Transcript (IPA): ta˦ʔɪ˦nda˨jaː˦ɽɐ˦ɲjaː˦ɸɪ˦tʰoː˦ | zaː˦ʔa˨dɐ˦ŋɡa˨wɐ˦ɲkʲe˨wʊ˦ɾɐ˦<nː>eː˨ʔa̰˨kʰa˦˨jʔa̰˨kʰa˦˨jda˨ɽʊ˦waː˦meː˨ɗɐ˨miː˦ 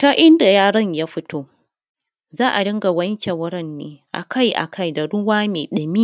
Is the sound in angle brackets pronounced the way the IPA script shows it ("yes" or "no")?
yes